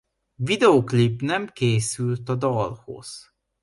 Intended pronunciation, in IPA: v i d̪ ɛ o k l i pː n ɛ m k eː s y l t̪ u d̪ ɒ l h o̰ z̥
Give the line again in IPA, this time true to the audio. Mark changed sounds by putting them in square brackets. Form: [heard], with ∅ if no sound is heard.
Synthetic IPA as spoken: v i d̪ ɛ o k l i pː n ɛ m k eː s y l t̪ [ɒ] d̪ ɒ l h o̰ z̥